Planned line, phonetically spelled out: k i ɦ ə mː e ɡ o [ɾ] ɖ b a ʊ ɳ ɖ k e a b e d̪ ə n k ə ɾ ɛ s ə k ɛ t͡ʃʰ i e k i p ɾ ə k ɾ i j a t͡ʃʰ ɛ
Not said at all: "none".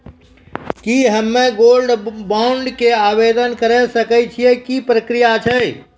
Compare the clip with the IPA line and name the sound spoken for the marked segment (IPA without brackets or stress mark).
l